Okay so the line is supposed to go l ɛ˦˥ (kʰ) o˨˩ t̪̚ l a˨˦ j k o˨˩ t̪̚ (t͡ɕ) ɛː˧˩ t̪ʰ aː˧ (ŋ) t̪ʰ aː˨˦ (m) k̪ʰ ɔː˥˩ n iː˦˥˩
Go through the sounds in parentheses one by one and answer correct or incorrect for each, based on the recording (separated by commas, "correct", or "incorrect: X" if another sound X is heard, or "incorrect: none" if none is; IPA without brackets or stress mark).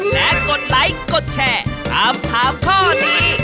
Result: incorrect: k, incorrect: t͡ɕʰ, incorrect: m, correct